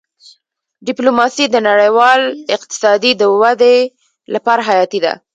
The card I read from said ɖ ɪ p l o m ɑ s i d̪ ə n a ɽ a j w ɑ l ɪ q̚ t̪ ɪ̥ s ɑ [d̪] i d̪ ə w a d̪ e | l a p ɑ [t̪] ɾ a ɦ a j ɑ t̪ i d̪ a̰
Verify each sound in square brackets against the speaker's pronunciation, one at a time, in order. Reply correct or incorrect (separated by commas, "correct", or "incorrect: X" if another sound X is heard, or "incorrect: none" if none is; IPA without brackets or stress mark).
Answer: correct, incorrect: none